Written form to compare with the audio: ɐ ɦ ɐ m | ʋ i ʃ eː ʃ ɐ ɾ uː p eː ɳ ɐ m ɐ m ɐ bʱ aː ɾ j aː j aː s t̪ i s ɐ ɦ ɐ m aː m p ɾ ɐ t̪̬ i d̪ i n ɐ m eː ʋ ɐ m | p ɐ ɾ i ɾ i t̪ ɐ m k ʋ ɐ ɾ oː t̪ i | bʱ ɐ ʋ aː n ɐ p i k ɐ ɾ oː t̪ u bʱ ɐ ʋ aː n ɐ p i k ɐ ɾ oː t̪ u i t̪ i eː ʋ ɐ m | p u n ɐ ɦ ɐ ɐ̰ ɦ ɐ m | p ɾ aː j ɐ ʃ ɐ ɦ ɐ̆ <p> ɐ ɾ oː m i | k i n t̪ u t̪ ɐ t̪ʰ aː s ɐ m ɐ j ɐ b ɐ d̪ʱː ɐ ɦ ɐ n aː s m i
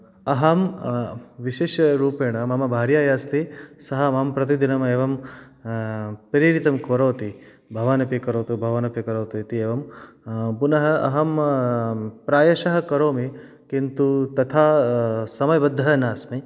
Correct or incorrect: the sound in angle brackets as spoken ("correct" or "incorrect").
incorrect